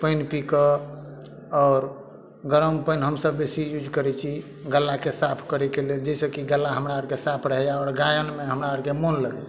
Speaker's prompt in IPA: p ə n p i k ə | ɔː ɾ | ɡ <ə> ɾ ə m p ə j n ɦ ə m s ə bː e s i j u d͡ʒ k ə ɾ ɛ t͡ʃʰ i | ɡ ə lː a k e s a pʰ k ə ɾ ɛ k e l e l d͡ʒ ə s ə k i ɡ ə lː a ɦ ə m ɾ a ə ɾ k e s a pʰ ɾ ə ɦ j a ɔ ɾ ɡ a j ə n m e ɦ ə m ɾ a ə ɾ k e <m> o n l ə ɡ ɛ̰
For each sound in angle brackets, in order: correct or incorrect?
correct, correct

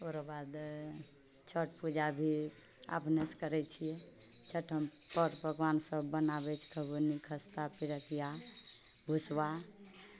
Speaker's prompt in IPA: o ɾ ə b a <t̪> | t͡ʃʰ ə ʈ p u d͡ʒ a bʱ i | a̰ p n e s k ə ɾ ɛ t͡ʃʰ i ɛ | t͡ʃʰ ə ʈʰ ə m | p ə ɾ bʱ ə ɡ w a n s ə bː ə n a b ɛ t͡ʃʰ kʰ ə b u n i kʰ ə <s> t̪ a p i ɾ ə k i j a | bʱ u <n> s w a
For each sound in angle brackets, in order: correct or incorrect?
incorrect: d̪, correct, incorrect: none

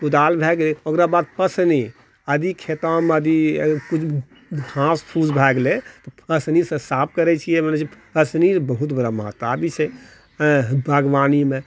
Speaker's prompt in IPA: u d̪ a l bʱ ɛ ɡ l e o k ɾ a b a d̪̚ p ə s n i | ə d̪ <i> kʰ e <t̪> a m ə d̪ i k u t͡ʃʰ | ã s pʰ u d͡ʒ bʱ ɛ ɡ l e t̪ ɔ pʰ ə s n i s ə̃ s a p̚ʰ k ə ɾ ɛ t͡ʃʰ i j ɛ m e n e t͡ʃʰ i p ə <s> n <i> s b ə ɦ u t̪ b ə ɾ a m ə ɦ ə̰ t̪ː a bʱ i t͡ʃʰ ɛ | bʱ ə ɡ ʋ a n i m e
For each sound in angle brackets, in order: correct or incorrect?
correct, correct, correct, correct

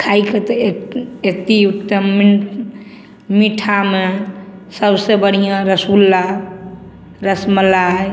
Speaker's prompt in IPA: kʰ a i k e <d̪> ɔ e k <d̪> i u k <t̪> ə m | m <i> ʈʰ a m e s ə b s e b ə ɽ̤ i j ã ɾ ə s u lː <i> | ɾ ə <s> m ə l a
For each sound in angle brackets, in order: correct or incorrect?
incorrect: t̪, incorrect: t̪, correct, correct, incorrect: a, correct

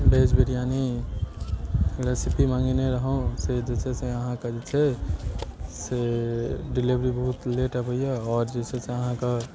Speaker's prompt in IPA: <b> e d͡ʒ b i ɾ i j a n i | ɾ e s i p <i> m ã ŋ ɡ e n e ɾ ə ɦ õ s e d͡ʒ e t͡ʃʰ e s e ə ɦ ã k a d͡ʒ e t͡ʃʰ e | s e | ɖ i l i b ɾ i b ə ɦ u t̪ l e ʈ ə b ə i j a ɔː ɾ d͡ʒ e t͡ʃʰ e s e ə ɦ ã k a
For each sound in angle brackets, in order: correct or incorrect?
correct, correct

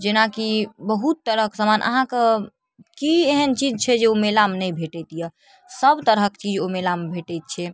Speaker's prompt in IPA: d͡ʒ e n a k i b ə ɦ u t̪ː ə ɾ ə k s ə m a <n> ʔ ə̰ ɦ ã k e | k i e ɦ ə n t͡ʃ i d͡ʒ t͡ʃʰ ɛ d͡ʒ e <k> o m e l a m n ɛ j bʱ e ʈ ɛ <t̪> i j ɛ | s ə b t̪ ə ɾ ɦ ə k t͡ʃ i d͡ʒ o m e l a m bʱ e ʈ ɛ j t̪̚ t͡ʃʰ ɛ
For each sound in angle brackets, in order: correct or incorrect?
correct, incorrect: none, correct

